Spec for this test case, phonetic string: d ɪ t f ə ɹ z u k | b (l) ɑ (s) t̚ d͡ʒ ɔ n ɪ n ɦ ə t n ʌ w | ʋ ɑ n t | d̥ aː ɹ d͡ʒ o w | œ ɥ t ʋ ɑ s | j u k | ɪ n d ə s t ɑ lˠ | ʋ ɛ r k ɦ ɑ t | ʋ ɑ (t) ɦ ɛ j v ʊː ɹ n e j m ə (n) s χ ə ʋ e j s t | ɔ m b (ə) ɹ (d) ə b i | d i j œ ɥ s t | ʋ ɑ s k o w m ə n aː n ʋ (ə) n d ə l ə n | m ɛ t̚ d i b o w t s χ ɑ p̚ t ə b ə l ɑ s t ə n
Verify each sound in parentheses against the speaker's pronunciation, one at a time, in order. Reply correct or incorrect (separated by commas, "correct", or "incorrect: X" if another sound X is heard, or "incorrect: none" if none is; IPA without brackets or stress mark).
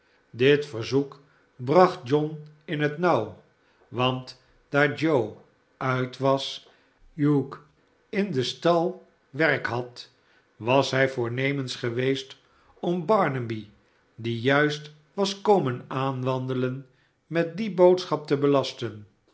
incorrect: r, incorrect: χ, incorrect: s, correct, incorrect: ɑ, incorrect: n, incorrect: ɑ